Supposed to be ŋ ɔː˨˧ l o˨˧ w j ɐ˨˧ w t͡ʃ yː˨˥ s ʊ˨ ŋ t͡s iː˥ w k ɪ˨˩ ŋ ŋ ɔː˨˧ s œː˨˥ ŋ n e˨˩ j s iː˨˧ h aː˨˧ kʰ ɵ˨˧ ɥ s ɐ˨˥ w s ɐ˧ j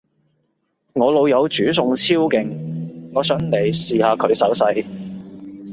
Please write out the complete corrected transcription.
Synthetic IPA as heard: ŋ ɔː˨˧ l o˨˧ w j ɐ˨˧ w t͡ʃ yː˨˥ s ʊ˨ ŋ t͡sʰ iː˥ w k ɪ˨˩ ŋ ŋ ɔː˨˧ s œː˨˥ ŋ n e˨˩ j s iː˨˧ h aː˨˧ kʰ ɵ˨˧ ɥ s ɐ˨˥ w s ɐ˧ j